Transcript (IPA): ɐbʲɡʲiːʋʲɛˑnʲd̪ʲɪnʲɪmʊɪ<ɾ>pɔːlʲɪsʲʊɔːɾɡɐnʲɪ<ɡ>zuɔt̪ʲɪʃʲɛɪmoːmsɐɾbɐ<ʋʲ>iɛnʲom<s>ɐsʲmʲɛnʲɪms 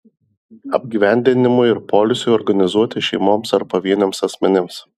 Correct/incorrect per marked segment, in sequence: correct, incorrect, correct, correct

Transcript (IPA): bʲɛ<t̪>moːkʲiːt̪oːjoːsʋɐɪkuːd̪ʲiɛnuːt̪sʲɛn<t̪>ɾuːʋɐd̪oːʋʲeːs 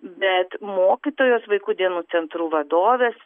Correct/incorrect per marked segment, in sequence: correct, correct

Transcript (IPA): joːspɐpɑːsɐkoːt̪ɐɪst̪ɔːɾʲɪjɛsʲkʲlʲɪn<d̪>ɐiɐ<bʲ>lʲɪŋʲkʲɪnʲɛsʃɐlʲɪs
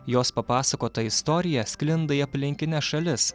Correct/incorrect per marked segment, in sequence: correct, incorrect

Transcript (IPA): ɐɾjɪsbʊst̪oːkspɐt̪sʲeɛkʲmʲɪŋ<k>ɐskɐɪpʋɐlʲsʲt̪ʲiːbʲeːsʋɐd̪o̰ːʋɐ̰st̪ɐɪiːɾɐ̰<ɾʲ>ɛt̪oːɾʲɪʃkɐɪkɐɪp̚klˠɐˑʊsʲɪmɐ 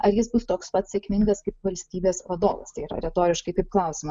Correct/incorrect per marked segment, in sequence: incorrect, correct

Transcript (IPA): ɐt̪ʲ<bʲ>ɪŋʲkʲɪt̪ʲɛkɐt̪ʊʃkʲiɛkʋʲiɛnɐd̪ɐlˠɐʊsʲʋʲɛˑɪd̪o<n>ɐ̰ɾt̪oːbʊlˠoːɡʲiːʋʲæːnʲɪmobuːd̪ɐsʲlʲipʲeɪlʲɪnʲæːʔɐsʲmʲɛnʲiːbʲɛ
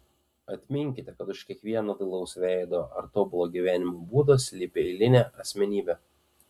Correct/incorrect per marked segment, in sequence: incorrect, incorrect

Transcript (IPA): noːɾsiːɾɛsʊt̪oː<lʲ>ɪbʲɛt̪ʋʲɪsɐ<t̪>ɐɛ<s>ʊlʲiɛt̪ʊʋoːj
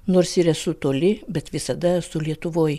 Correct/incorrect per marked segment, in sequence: correct, incorrect, correct

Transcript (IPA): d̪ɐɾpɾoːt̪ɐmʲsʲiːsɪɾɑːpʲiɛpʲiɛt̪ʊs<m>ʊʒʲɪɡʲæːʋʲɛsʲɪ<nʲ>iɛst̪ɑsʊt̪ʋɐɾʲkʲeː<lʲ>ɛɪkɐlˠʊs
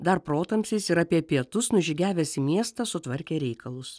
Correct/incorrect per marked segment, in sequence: incorrect, incorrect, incorrect

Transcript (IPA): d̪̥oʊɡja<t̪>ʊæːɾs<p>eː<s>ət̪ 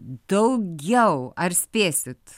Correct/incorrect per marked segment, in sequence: incorrect, correct, correct

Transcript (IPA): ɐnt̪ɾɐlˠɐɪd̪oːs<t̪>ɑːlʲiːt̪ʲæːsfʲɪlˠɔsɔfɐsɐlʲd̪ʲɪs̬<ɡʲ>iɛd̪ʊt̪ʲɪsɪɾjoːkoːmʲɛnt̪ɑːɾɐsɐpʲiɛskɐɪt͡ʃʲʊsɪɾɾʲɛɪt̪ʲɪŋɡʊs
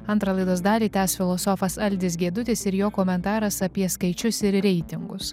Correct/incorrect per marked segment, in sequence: incorrect, correct

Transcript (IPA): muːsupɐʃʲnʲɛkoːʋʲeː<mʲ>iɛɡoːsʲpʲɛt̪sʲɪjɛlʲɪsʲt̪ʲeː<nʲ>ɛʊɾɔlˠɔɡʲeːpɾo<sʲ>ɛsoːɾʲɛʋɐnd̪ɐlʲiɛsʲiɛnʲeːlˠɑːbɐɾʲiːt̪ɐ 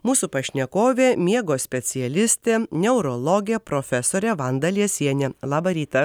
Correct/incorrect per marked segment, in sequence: correct, correct, incorrect

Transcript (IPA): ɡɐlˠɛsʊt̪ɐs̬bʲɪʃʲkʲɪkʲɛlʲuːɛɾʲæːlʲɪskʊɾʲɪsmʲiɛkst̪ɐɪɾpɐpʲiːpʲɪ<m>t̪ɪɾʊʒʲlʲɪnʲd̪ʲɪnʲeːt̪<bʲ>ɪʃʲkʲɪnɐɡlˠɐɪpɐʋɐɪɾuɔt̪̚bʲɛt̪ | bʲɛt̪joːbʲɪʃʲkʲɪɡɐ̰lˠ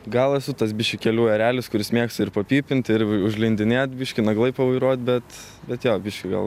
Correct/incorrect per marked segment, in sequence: incorrect, correct

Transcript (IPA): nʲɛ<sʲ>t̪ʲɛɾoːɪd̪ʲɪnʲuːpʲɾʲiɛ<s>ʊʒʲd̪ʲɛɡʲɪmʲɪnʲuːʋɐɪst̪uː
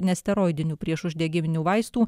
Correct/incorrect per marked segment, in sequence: correct, incorrect

